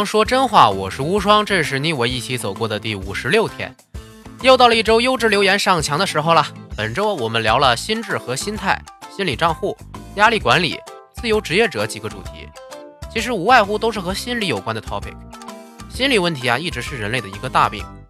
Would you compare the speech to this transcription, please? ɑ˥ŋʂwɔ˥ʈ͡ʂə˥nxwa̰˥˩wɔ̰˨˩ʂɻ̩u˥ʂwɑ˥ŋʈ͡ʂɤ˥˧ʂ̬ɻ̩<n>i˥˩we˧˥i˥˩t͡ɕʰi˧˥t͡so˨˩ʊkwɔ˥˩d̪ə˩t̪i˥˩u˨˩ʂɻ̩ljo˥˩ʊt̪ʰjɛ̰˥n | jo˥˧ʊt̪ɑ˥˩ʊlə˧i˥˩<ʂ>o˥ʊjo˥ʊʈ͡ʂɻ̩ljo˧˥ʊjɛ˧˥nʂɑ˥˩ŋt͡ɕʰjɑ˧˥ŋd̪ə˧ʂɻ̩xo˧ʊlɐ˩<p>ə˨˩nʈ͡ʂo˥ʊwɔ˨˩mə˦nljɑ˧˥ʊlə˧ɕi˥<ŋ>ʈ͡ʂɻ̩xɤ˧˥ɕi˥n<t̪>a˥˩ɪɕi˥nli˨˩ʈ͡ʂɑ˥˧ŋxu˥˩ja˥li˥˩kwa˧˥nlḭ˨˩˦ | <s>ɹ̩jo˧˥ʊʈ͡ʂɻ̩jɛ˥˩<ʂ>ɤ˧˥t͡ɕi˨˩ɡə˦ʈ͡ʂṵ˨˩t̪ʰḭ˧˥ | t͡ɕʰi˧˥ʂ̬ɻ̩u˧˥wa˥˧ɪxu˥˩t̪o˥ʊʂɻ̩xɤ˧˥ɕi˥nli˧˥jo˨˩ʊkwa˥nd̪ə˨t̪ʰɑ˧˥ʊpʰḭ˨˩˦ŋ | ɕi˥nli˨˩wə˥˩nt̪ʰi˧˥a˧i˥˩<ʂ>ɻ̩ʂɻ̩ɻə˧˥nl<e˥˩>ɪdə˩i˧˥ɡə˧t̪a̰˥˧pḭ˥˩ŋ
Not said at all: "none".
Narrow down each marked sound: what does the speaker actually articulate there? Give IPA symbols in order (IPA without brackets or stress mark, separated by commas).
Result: n, ʈ͡ʂ, p, n, t̪ʰ, t͡s, ʈ͡ʂ, ʈ͡ʂ, e˥˩